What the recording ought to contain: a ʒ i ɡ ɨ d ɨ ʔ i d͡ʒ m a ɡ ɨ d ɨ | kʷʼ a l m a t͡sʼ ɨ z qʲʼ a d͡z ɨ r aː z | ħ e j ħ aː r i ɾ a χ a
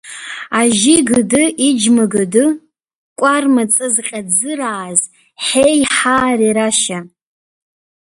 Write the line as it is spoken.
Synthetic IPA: a ʒ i ɡ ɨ d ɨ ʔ i d͡ʒ m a ɡ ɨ d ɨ | kʷʼ a r m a t͡sʼ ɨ z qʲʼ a d͡z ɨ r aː z | ħ e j ħ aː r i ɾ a ʃ a